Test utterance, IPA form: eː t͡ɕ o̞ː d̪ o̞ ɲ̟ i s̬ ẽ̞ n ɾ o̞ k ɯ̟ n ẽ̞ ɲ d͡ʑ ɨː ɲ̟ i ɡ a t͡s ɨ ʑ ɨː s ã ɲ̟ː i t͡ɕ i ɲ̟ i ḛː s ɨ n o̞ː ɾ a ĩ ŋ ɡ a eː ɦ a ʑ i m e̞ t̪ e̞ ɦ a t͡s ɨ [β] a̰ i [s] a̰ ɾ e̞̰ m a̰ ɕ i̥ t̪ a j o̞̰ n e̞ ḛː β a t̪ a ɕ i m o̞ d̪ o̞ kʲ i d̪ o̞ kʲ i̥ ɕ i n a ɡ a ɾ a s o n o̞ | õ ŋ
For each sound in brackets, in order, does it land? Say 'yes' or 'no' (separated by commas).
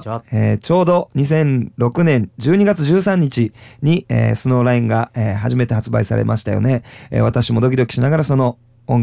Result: no, yes